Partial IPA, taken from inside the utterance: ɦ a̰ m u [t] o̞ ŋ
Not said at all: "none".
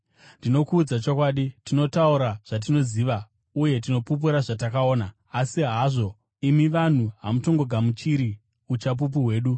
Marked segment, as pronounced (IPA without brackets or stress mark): t